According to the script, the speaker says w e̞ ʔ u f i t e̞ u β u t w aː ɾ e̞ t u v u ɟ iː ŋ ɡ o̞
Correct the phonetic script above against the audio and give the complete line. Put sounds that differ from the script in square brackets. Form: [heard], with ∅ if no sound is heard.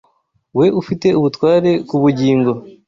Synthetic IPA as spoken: w e̞ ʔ u f i t e̞ u β u t w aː ɾ e̞ [k] u [β] u ɟ iː ŋ ɡ o̞